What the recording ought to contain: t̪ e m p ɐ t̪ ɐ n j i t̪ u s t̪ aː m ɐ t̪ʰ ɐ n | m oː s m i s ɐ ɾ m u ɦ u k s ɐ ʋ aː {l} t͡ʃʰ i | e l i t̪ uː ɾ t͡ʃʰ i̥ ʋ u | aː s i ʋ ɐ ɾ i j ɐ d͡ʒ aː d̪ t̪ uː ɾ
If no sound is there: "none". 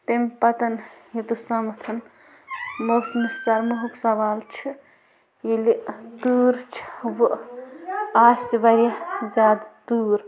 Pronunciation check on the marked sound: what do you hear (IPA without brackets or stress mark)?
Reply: l